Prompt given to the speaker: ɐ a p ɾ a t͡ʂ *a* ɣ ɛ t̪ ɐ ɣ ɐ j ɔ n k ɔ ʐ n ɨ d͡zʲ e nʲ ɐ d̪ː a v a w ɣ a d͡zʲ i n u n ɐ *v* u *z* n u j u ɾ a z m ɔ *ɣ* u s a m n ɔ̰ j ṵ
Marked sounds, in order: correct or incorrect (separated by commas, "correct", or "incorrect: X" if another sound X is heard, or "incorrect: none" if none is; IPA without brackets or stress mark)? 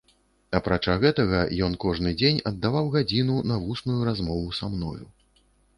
correct, correct, incorrect: s, incorrect: v